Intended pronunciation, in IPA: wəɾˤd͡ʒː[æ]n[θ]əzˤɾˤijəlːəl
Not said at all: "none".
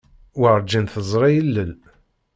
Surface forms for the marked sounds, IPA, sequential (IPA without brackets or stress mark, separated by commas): i, θ